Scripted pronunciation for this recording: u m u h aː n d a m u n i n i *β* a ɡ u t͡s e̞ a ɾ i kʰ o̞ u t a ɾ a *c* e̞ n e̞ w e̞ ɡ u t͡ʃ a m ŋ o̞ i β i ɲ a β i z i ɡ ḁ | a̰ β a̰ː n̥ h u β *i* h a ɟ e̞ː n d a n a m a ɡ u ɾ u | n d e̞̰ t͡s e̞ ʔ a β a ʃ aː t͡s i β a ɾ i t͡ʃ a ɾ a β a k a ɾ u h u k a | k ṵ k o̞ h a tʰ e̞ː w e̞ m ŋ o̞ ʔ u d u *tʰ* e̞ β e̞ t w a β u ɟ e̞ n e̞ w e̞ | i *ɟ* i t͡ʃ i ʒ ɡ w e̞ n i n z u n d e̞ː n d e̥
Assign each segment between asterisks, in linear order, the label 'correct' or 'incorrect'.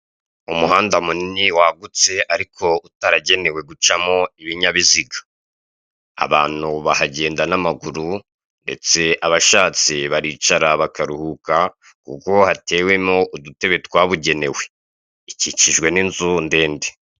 incorrect, incorrect, incorrect, incorrect, incorrect

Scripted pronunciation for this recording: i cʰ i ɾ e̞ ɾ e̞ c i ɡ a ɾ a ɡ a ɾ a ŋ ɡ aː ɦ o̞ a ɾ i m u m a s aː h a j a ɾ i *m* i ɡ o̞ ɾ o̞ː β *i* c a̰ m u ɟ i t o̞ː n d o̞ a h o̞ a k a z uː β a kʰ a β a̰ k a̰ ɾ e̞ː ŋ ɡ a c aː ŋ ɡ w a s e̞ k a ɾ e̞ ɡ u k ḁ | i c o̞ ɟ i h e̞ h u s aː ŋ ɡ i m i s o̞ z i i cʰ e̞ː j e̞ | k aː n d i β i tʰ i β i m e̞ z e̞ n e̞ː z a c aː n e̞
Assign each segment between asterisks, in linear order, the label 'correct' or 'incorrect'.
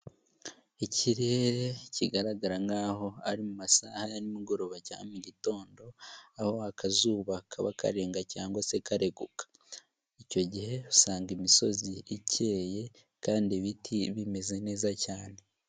correct, incorrect

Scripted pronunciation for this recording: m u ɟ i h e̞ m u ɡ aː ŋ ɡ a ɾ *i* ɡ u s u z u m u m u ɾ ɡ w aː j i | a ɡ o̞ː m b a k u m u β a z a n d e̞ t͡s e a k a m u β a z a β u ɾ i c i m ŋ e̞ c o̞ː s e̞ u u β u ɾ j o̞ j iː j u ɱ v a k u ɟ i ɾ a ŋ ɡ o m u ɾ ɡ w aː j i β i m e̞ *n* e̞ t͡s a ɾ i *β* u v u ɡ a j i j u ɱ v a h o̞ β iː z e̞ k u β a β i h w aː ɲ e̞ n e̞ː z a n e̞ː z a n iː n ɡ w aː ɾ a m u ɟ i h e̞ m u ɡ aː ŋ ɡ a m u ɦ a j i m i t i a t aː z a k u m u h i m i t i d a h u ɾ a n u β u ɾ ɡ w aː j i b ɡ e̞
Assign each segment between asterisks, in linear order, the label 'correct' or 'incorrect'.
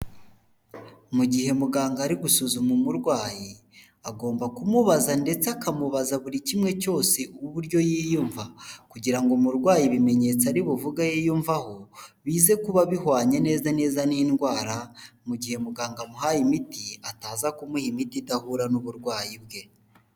correct, incorrect, correct

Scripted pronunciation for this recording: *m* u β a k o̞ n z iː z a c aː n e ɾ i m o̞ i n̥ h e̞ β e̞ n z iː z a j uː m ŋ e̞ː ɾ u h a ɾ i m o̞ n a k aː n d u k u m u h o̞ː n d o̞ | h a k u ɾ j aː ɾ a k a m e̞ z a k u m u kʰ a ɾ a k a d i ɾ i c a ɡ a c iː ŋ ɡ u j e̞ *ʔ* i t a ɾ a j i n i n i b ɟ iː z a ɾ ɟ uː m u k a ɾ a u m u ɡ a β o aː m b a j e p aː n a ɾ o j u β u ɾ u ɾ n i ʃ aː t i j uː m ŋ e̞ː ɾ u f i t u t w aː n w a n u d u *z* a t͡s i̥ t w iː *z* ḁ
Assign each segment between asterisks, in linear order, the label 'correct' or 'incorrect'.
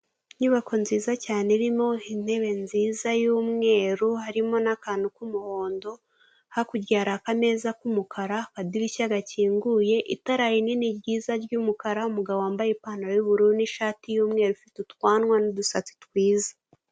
incorrect, correct, incorrect, correct

